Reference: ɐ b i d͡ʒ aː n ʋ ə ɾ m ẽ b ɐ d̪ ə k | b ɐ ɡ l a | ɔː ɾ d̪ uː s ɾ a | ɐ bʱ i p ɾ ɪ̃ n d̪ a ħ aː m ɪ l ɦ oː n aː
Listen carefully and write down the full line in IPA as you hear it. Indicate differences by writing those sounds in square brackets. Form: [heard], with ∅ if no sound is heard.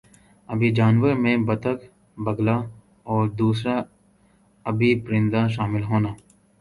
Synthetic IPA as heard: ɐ b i d͡ʒ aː n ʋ ə ɾ m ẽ b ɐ [t̪] ə k | b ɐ ɡ l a | ɔː ɾ d̪ uː s ɾ a | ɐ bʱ i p ɾ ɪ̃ n d̪ a [ʃ] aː m ɪ l ɦ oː n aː

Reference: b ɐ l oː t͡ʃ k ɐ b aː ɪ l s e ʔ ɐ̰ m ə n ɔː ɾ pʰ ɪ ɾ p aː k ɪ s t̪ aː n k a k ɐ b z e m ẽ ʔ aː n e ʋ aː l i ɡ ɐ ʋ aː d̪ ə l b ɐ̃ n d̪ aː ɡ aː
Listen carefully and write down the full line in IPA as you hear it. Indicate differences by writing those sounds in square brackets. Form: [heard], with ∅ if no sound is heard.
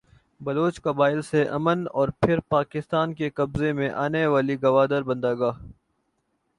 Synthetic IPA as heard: b ɐ l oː t͡ʃ k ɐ b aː ɪ l s e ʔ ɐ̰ m ə n ɔː ɾ pʰ ɪ ɾ p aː k ɪ s t̪ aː n k [e] k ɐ b z e m ẽ ʔ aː n e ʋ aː l i ɡ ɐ ʋ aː d̪ ə [ɾ] b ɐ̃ n d̪ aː ɡ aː

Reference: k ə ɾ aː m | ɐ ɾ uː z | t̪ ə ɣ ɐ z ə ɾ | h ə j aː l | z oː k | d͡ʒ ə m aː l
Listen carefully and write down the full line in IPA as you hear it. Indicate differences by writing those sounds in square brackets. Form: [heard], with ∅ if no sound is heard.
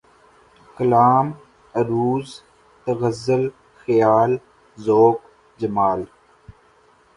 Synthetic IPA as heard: k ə [l] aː m | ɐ ɾ uː z | t̪ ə ɣ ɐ z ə [l] | [x] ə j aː l | z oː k | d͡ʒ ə m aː l

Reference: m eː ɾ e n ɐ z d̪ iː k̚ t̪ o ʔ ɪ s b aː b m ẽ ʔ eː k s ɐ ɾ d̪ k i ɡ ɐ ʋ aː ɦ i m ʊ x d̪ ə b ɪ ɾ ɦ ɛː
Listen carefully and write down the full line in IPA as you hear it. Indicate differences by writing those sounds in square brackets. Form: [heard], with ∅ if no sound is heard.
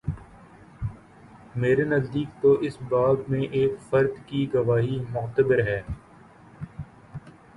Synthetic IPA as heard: m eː ɾ e n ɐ z d̪ iː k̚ t̪ o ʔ ɪ s b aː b m ẽ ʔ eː k [f] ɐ ɾ d̪ k i ɡ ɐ ʋ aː ɦ i m ʊ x [t̪] ə b ɪ ɾ ɦ ɛː

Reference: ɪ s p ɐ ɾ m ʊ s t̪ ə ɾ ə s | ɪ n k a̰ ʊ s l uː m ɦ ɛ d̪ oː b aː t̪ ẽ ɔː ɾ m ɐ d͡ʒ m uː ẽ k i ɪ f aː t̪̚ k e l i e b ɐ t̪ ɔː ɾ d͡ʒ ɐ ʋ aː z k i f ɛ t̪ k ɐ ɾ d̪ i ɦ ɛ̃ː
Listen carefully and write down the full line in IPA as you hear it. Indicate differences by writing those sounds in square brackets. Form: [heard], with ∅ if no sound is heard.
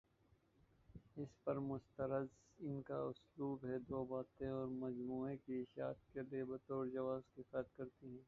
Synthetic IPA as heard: ɪ s p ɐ ɾ m ʊ s t̪ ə ɾ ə [z] | ɪ n k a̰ ʊ s l uː [b] ɦ ɛ d̪ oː b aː t̪ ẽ ɔː ɾ m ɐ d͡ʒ m uː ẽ k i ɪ [ʃ] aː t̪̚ k e l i e b ɐ t̪ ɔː ɾ d͡ʒ ɐ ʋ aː z k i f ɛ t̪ k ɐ ɾ [t̪] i ɦ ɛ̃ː

